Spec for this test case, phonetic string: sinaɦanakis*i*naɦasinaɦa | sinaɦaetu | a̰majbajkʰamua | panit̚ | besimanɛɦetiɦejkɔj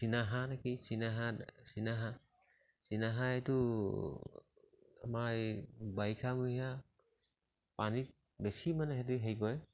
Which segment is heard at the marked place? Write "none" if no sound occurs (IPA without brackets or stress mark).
i